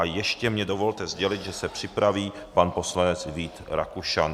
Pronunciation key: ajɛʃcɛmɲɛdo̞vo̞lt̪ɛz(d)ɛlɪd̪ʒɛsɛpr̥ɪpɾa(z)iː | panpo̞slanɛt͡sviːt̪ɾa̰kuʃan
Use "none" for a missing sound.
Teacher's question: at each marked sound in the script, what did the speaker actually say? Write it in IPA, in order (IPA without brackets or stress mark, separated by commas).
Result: ɟ, v